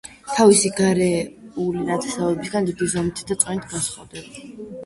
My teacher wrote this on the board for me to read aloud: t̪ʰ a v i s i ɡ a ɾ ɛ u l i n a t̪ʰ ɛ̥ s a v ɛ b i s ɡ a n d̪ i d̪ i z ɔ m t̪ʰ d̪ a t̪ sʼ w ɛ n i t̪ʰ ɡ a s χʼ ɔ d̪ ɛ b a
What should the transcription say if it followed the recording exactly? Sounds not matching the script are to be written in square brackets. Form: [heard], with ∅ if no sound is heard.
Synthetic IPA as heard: t̪ʰ a v i s i ɡ a ɾ ɛ u l i n a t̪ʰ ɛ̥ s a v ɛ b i s ɡ a n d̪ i d̪ i z ɔ m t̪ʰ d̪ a t̪ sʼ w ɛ n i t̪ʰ ɡ a s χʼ ɔ d̪ ɛ b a